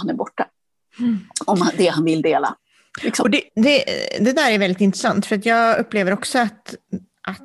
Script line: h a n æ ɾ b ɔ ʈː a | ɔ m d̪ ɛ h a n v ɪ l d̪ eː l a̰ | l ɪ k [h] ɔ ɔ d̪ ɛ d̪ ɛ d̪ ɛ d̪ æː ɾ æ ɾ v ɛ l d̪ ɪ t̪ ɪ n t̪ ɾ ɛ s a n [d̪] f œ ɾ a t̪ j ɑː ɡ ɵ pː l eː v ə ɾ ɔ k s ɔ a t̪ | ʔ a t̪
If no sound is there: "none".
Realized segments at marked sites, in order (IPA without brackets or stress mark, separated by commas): s, t̪